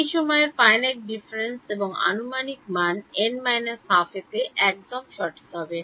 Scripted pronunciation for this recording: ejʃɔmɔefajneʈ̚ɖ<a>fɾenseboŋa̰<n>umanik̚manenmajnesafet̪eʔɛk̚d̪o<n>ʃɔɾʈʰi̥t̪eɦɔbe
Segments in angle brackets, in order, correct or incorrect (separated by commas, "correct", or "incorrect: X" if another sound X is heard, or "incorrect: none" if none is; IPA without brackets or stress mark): incorrect: i, correct, incorrect: m